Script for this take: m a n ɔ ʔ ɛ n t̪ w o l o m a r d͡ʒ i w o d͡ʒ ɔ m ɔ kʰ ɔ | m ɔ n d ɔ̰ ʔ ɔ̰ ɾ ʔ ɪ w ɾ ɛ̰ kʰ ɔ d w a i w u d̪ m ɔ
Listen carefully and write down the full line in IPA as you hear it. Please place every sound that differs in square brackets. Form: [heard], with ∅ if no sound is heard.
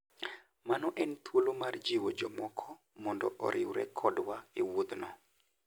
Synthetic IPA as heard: m a n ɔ ʔ ɛ n t̪ w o l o m a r d͡ʒ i w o d͡ʒ ɔ m ɔ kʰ ɔ | m ɔ n d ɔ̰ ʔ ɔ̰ ɾ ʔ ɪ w ɾ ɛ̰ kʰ ɔ d w a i w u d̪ [n] ɔ